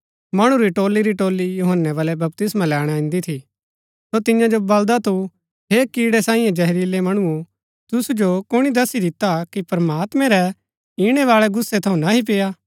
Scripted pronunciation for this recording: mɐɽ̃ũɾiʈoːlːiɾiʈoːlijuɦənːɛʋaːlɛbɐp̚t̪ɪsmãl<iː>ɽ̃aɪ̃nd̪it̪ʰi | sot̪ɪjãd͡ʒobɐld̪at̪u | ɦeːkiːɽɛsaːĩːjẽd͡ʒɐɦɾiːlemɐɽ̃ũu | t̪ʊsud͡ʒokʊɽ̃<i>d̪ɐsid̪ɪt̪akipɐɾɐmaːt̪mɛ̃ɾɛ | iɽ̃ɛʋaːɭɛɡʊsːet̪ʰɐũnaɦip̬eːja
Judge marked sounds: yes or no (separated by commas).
no, yes